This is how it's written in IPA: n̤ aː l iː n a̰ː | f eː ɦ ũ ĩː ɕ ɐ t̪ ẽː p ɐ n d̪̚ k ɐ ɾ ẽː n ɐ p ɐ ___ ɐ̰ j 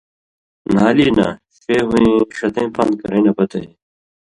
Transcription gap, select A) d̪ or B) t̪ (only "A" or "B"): B